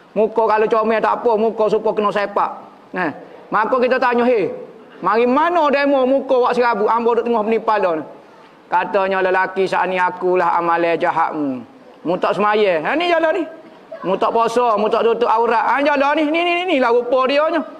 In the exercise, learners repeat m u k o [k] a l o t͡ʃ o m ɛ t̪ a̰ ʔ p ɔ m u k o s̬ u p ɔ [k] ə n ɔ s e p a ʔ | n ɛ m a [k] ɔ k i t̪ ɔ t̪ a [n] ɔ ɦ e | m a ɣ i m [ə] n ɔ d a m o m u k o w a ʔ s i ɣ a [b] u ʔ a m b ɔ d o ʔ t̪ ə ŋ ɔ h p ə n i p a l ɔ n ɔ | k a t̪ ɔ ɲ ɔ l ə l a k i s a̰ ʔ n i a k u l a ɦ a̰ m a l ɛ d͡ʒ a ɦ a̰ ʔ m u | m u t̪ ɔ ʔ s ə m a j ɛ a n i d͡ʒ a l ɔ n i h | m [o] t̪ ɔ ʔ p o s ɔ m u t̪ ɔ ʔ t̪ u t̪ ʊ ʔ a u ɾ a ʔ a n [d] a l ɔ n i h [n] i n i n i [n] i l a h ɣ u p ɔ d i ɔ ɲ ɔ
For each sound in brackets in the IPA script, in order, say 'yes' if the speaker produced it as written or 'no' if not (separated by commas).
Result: yes, yes, yes, no, no, yes, no, no, yes, yes